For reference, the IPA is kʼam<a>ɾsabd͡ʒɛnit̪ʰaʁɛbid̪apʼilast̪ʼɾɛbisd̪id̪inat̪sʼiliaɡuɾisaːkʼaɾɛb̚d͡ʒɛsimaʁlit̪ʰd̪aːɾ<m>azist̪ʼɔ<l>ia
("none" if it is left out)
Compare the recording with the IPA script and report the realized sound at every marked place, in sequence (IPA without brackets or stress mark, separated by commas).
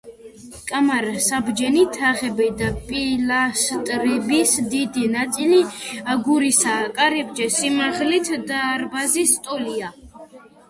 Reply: a, b, l